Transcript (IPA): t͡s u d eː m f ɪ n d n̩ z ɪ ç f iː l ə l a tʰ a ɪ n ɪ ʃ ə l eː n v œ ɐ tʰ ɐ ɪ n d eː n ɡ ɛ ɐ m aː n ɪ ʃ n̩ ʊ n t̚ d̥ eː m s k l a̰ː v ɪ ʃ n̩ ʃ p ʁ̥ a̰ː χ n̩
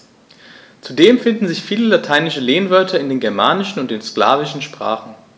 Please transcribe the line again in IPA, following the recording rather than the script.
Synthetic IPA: t͡s u d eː m f ɪ n d n̩ z ɪ ç f iː l ə l a tʰ a ɪ n ɪ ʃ ə l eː n v œ ɐ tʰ ɐ ɪ n d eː n ɡ ɛ ɐ m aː n ɪ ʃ n̩ ʊ n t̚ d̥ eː n s k l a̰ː v ɪ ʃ n̩ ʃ p ʁ̥ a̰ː χ n̩

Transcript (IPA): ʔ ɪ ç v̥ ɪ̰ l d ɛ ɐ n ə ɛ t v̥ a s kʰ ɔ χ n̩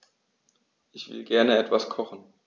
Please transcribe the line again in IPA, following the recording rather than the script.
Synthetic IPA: ʔ ɪ ç v̥ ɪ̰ l ɡ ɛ ɐ n ə ɛ t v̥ a s kʰ ɔ χ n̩

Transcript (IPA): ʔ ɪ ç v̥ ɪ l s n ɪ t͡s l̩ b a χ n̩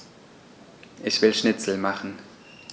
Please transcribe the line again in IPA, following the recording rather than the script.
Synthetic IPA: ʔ ɪ ç v̥ ɪ l ʃ n ɪ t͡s l̩ m a χ n̩

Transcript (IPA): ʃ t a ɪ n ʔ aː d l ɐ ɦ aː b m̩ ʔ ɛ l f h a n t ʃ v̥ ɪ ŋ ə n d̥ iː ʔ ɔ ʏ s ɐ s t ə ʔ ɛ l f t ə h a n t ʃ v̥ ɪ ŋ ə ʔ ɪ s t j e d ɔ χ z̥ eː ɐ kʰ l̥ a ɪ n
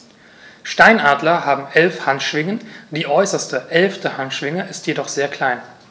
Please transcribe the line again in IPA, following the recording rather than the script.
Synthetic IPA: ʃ t a ɪ n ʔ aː d l ɐ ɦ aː b m̩ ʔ ɛ l f h a n t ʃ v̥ ɪ ŋ ə n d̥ iː ʔ ɔ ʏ s ɐ s t ə ʔ ɛ l f t ə h a n t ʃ v̥ ɪ ŋ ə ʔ ɪ s t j e d ɔ χ z̥ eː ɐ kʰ l̥ a ɪ n

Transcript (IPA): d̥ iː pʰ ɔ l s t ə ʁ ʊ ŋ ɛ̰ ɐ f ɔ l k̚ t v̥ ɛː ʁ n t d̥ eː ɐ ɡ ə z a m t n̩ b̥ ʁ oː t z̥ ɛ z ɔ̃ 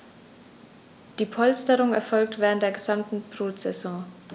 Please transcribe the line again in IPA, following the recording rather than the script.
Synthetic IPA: d̥ iː pʰ ɔ l s t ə ʁ ʊ ŋ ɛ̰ ɐ f ɔ l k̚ t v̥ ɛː ʁ n t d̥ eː ɐ ɡ ə z a m t n̩ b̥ ʁ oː t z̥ ɛ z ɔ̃

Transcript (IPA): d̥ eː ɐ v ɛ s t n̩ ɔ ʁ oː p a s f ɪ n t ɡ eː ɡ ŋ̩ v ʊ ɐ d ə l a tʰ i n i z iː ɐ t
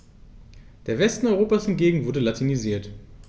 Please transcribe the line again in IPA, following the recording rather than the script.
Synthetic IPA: d̥ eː ɐ v ɛ s t n̩ ɔ ʁ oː p a s h ɪ n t ɡ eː ɡ ŋ̩ v ʊ ɐ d ə l a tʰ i n i z iː ɐ t

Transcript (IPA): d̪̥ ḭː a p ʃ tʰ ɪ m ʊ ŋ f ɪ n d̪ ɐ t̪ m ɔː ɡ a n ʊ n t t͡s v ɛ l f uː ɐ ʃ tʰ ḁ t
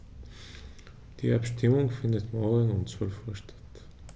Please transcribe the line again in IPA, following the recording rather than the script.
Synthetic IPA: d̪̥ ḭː a p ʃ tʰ ɪ m ʊ ŋ f ɪ n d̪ ə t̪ m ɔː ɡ ə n ʊ n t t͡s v œ l f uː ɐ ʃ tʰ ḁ t

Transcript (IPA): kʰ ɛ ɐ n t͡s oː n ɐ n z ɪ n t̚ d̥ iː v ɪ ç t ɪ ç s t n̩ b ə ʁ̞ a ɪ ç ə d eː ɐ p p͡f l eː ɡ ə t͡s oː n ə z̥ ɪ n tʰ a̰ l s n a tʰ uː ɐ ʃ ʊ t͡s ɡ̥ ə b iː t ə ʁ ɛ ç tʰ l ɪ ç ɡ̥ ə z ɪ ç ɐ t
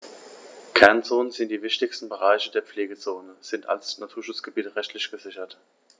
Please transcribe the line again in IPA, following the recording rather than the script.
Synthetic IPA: kʰ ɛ ɐ n t͡s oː n ə n z ɪ n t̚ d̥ iː v ɪ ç t ɪ ç s t n̩ b ə ʁ̞ a ɪ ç ə d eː ɐ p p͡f l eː ɡ ə t͡s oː n ə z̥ ɪ n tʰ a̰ l s n a tʰ uː ɐ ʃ ʊ t͡s ɡ̥ ə b iː t ə ʁ ɛ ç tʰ l ɪ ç ɡ̥ ə z ɪ ç ɐ t

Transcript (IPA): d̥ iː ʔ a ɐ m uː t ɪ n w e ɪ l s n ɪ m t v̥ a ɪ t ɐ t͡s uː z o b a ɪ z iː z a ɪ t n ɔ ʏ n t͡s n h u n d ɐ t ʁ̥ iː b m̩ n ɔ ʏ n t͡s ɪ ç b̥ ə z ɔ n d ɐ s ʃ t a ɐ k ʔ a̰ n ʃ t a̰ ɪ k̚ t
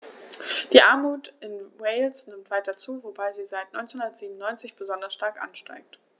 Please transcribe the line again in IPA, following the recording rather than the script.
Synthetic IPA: d̥ iː ʔ a ɐ m uː t ɪ n w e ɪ l s n ɪ m t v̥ a ɪ t ɐ t͡s uː v o b a ɪ z iː z a ɪ t n ɔ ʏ n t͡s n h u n d ɐ t z̥ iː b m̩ n ɔ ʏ n t͡s ɪ ç b̥ ə z ɔ n d ɐ s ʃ t a ɐ k ʔ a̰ n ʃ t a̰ ɪ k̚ t

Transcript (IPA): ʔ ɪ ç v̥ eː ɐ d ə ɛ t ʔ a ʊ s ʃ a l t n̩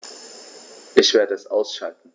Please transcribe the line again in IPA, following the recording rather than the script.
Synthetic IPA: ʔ ɪ ç v̥ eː ɐ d ə ɛ s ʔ a ʊ s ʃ a l t n̩

